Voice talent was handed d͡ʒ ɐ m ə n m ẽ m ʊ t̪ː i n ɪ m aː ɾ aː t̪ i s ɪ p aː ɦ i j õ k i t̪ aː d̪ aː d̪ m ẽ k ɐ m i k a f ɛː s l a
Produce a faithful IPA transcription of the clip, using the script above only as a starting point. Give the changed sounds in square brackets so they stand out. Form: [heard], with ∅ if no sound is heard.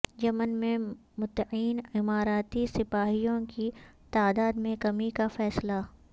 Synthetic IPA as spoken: d͡ʒ ɐ m ə n m ẽ m ʊ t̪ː [iː] n ɪ m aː ɾ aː t̪ i s ɪ p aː ɦ i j õ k i t̪ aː d̪ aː d̪ m ẽ k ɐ m i k a f ɛː s l a